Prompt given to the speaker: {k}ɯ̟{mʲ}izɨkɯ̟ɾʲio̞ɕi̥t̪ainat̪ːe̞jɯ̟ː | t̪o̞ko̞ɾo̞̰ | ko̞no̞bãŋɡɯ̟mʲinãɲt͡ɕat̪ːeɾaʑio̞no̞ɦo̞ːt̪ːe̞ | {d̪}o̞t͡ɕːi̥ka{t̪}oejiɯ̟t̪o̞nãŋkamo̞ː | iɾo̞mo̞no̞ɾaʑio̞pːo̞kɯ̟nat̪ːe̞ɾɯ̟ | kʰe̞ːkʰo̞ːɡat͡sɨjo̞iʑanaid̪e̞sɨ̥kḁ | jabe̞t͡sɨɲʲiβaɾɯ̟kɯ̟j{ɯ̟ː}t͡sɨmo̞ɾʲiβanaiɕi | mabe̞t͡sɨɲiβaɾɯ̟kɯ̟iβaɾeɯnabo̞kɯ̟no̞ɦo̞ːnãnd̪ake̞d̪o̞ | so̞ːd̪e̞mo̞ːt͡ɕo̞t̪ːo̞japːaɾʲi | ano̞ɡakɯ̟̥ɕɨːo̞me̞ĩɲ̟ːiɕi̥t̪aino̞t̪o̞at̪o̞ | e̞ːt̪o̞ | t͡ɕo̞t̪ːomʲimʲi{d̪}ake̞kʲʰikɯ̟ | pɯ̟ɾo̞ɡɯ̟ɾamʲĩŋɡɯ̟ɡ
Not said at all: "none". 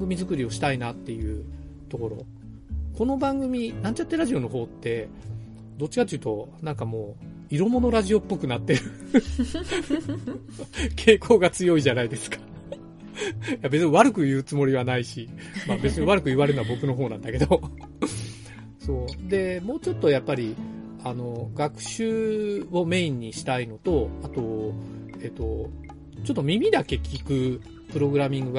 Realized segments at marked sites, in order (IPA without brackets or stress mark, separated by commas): ɡ, mʲ, d̪, t̪, ɯ̟ː, d̪